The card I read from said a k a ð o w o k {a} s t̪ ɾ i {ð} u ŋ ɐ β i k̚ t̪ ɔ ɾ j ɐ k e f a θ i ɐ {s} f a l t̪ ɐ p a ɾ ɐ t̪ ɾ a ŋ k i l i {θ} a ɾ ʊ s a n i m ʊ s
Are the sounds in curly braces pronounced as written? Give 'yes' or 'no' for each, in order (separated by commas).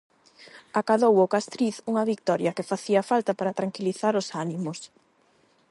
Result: yes, no, no, yes